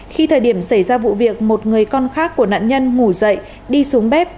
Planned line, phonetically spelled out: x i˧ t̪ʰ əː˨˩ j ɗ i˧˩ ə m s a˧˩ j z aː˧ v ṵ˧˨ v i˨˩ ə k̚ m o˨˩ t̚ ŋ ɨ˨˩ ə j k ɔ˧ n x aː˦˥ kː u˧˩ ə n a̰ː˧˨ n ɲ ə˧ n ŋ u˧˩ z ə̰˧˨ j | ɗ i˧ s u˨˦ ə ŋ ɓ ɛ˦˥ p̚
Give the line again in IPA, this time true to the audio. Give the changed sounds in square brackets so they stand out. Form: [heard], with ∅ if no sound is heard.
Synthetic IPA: x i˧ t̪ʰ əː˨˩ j ɗ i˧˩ ə m s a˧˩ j z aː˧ v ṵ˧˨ v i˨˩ ə k̚ m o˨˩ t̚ ŋ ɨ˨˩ ə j k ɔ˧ n x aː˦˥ kː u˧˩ ə n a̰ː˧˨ n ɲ ə˧ n ŋ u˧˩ z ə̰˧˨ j | ɗ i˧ s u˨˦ ə ŋ ɓ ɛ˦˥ p̚